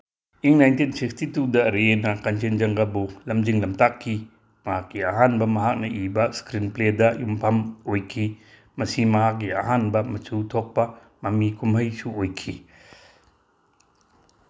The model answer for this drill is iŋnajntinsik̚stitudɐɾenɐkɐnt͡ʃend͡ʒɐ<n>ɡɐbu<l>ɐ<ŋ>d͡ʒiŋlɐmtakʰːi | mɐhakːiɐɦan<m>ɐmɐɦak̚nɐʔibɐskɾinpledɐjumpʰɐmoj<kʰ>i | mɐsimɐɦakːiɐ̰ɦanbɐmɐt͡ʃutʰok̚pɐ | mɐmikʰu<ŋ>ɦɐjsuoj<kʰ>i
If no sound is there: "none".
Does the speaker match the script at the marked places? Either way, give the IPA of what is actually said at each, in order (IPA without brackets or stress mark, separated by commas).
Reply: ŋ, l, m, b, kʰ, m, kʰ